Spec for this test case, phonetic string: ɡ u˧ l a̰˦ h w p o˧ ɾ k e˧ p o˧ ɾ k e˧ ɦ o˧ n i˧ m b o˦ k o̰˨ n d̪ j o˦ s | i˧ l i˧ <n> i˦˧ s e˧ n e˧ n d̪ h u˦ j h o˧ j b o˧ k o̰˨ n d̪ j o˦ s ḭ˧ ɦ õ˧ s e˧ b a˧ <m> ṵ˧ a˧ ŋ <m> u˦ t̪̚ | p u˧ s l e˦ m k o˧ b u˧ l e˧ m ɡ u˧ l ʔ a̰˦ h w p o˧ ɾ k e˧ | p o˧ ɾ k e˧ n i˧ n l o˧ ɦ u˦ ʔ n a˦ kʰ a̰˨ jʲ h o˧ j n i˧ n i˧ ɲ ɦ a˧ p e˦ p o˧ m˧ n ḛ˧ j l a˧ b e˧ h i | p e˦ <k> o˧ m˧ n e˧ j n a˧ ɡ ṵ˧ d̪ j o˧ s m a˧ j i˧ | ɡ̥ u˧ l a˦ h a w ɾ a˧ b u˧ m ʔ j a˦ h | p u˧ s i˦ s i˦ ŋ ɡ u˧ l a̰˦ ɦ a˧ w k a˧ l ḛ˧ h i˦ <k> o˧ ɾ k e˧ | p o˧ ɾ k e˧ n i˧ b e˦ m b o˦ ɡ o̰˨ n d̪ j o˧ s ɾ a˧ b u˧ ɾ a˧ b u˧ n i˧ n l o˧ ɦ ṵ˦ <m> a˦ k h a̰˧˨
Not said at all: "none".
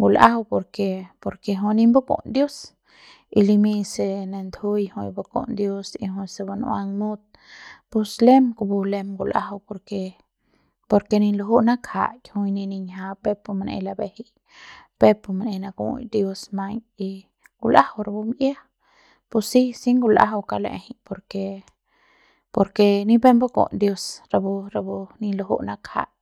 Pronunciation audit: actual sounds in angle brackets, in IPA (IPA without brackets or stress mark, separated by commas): m, n, m, p, p, n